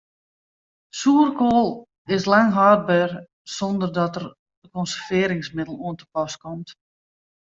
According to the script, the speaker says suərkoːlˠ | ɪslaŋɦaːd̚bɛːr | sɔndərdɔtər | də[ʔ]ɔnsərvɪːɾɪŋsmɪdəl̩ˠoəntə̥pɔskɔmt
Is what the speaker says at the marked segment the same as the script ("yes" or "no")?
no